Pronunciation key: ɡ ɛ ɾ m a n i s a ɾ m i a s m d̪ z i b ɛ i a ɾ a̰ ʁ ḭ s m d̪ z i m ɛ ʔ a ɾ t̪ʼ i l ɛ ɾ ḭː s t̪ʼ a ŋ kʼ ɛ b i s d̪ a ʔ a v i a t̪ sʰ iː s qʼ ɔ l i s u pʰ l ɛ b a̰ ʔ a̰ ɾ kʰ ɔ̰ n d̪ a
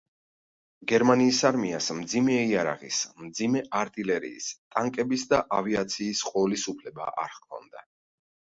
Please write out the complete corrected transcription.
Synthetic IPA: ɡ ɛ ɾ m a n iː s a ɾ m i a s m d̪ z i m ɛ i a ɾ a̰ ʁ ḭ s m d̪ z i m ɛ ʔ a ɾ t̪ʼ i l ɛ ɾ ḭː s t̪ʼ a ŋ kʼ ɛ b i s d̪ a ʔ a v i a t̪ sʰ iː s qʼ ɔ l i s u pʰ l ɛ b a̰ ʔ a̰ ɾ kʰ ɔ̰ n d̪ a